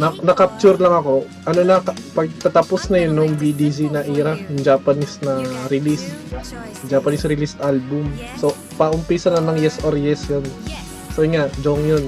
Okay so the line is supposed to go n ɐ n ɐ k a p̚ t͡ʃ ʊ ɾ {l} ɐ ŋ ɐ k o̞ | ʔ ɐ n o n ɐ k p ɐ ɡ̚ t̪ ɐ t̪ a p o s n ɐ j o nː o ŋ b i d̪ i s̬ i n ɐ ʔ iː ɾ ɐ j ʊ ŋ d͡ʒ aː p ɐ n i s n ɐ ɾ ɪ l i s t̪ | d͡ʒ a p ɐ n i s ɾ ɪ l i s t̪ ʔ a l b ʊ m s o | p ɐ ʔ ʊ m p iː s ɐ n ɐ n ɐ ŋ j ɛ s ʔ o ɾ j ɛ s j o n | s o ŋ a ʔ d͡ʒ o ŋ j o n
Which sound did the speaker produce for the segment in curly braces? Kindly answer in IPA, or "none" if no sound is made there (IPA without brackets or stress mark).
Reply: l